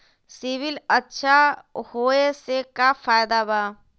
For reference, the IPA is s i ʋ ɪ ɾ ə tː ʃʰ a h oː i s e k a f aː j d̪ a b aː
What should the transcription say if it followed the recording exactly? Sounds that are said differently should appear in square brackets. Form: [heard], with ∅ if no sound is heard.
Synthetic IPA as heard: s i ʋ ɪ [l] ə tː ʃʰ a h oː [e] s e k a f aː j d̪ a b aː